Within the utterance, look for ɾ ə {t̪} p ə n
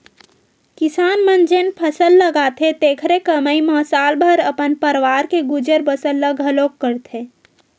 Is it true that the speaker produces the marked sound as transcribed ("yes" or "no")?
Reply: no